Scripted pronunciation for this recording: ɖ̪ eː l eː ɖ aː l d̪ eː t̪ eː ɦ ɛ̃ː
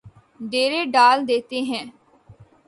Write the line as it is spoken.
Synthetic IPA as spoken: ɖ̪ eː ɾ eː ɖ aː l d̪ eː t̪ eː ɦ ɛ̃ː